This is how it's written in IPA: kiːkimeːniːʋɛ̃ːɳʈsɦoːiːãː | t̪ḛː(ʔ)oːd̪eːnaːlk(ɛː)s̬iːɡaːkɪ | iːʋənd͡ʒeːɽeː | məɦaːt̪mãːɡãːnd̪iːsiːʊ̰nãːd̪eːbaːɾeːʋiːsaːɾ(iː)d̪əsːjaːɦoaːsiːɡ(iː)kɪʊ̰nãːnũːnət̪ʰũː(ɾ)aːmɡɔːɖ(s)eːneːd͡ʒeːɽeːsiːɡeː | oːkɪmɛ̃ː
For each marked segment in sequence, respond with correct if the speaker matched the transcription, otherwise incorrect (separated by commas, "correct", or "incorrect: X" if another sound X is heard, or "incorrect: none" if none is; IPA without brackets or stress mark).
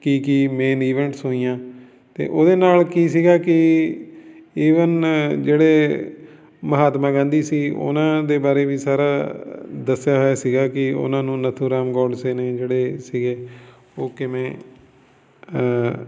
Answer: correct, incorrect: iː, incorrect: aː, incorrect: aː, correct, correct